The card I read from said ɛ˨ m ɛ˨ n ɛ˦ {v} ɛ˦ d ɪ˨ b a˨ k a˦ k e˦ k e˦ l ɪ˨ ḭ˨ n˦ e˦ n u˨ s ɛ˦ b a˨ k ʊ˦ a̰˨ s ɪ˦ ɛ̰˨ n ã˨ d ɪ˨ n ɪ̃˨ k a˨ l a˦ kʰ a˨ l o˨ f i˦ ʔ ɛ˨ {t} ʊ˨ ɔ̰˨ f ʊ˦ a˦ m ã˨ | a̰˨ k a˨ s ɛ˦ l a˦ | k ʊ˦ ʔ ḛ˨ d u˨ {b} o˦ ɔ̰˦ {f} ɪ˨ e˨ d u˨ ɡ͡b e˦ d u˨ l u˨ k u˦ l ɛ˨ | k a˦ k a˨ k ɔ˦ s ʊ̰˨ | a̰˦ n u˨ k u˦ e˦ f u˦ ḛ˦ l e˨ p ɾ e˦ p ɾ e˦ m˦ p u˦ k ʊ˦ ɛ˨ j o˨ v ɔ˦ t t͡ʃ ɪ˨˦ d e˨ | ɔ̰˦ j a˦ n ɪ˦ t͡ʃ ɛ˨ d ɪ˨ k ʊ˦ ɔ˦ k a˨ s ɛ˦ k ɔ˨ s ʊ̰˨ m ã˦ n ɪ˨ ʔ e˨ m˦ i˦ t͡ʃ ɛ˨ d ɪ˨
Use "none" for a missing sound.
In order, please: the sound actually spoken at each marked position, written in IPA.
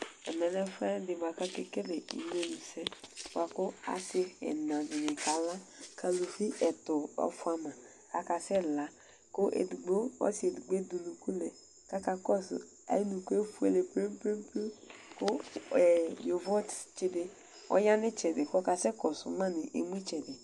f, t, ɡ͡b, s

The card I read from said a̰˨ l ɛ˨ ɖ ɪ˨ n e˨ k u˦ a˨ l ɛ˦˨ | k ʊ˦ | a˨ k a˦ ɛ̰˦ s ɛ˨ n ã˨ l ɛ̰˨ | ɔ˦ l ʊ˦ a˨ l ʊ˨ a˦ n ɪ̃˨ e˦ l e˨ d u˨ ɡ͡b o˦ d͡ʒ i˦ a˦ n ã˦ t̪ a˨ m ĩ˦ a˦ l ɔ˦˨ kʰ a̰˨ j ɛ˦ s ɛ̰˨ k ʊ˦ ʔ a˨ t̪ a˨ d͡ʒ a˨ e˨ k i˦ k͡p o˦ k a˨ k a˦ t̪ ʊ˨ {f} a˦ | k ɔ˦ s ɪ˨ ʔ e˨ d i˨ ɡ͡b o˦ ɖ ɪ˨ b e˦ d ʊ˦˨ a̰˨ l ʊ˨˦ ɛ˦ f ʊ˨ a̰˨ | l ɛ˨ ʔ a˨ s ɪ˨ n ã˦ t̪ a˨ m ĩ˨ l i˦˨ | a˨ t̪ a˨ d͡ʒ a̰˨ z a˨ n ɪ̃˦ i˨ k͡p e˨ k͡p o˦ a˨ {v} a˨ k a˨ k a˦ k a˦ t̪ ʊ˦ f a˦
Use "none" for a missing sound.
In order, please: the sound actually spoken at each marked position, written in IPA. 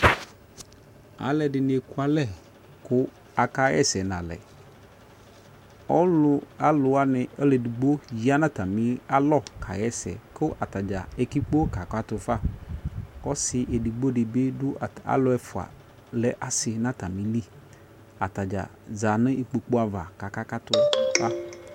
f, v

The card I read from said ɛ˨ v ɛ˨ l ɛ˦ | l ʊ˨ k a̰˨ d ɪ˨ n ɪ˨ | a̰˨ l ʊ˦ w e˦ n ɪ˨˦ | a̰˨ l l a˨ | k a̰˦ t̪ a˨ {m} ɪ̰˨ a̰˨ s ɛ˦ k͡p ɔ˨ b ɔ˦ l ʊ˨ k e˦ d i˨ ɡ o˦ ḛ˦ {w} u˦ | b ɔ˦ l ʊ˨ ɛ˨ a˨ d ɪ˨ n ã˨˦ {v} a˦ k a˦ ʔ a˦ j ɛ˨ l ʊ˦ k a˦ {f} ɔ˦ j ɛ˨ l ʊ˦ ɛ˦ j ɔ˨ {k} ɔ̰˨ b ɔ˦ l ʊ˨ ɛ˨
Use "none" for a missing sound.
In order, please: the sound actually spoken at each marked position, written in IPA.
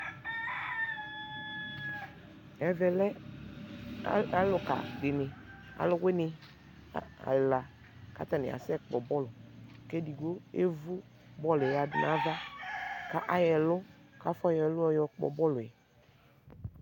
n, v, v, f, k͡p

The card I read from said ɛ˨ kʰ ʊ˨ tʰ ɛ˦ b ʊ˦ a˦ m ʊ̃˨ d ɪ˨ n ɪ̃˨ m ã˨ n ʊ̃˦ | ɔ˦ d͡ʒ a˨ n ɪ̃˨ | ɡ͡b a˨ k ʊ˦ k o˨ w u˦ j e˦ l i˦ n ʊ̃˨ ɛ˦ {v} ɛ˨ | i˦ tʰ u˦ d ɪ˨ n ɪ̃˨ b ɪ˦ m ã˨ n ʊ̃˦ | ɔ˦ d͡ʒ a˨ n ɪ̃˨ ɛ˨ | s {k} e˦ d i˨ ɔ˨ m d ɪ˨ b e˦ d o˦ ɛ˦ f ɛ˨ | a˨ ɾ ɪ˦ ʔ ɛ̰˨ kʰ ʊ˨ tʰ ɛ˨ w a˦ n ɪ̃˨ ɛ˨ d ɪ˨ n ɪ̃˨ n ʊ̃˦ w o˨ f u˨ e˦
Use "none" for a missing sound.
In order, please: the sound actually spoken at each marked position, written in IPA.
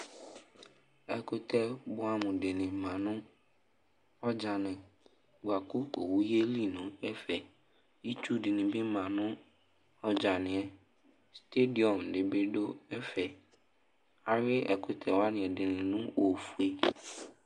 f, t

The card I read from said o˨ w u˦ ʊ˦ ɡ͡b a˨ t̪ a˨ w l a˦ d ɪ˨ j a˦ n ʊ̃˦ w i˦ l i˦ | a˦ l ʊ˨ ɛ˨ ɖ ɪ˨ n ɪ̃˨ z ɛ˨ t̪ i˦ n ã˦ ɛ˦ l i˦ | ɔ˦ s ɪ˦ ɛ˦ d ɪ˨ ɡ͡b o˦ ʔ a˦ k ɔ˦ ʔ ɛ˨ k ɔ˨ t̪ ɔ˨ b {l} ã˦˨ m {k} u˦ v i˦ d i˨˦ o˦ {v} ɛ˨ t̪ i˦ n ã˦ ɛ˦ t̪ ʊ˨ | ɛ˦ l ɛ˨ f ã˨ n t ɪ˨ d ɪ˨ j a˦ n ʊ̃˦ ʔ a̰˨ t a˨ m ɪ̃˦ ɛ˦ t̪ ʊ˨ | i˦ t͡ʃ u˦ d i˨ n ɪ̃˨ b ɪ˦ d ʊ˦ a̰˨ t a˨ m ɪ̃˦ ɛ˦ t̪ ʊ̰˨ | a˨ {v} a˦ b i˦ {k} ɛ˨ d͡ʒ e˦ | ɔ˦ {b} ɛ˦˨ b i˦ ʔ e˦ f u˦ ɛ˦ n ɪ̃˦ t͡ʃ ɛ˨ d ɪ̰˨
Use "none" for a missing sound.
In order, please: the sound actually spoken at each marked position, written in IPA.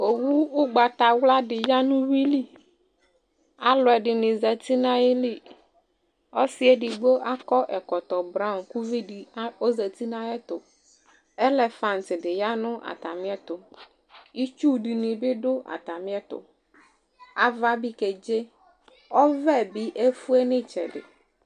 ɾ, k, z, v, k, v

